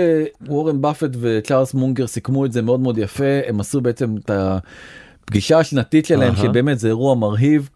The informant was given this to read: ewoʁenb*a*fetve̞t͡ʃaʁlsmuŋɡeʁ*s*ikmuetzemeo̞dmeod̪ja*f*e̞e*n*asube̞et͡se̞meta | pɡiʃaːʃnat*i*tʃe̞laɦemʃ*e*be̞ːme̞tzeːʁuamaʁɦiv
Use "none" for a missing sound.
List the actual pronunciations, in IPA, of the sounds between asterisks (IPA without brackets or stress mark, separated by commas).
a, s, f, m, i, e